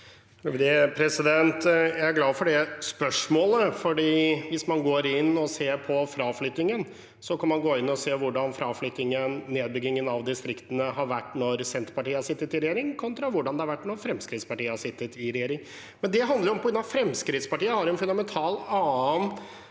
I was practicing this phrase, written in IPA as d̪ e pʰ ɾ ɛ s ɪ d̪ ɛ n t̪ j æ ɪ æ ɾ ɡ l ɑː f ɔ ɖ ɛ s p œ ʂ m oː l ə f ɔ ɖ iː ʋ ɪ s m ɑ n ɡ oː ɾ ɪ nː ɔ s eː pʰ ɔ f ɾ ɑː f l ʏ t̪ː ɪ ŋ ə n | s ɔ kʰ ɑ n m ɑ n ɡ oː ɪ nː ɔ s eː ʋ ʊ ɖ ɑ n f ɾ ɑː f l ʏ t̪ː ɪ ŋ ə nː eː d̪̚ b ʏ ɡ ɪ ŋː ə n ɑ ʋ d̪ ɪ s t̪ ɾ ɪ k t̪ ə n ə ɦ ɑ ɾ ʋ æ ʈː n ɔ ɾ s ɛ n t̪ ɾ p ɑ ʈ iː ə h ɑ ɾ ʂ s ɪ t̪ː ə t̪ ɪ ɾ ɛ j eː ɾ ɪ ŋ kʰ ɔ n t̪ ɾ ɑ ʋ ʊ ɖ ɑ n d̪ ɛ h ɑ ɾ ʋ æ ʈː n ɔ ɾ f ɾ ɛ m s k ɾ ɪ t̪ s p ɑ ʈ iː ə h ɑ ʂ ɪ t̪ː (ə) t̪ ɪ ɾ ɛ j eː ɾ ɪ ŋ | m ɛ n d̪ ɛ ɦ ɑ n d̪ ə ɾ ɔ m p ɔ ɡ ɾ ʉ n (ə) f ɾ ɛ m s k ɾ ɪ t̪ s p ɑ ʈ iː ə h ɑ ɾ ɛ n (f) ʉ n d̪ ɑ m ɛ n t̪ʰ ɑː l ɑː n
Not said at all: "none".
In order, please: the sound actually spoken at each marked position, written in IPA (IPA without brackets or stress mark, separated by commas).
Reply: ə, ɑ, f